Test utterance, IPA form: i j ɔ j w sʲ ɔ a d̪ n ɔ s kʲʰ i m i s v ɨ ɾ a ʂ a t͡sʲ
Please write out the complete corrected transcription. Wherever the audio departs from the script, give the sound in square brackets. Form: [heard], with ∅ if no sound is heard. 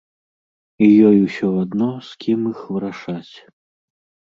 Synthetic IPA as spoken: i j ɔ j w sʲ ɔ a d̪ n ɔ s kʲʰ i m i [x] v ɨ ɾ a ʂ a t͡sʲ